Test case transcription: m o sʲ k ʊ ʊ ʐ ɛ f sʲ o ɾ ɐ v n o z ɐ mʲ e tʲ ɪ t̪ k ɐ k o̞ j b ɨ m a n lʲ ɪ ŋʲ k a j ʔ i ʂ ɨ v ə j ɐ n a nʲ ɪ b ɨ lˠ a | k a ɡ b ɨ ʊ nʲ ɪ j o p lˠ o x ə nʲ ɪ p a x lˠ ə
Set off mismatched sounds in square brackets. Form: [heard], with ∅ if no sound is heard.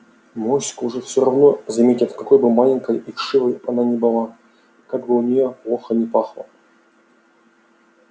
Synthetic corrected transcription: m o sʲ k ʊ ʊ ʐ ɛ f sʲ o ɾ ɐ v n o z ɐ mʲ e tʲ ɪ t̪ k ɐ k o̞ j b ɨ m a [∅] lʲ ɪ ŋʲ k [ə] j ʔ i ʂ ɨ v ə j ɐ n a nʲ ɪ b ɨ lˠ a | k a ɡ b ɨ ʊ nʲ ɪ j o p lˠ o x ə nʲ ɪ p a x lˠ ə